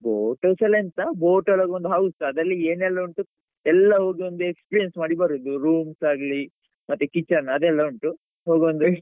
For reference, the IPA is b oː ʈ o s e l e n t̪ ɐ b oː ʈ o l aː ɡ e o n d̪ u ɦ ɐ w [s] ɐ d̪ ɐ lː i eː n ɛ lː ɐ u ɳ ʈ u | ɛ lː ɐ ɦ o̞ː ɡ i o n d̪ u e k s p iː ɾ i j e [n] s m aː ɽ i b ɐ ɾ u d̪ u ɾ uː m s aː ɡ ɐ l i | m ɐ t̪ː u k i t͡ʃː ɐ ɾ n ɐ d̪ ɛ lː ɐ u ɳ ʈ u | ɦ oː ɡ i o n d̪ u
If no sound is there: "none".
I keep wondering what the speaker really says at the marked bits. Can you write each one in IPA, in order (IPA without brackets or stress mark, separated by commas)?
s, n